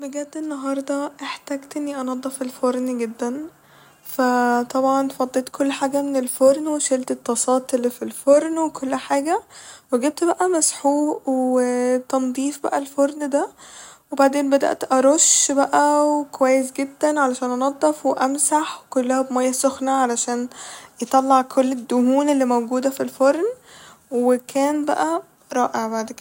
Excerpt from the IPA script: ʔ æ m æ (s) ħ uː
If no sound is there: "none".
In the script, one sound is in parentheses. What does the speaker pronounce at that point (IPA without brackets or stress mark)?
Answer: s